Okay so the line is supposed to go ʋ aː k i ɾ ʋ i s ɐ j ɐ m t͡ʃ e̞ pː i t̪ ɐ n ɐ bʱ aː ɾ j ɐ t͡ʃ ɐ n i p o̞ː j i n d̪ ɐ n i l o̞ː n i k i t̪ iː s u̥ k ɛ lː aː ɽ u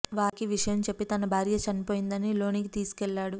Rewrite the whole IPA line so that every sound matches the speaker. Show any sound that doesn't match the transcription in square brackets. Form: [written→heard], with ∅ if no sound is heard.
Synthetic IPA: ʋ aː k i [ɾ→∅] ʋ i [s→ʂ] ɐ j ɐ m t͡ʃ e̞ pː i t̪ ɐ n ɐ bʱ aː ɾ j ɐ t͡ʃ ɐ n i p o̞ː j i n d̪ ɐ n i l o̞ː n i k i t̪ iː s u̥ k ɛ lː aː ɽ u

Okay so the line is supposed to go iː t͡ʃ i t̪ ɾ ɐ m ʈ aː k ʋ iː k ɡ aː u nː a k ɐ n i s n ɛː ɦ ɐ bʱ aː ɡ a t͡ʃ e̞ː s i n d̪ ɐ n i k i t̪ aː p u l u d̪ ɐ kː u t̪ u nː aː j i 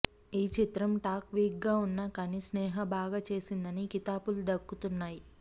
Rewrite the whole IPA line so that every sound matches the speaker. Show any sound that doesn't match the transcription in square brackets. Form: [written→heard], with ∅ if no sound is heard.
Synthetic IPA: iː t͡ʃ i t̪ ɾ ɐ m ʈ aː k ʋ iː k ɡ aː u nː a k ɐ n i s n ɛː ɦ ɐ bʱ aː ɡ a t͡ʃ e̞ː s i n d̪ ɐ n i k i t̪ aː p u l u d̪ ɐ kː u t̪ u nː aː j i

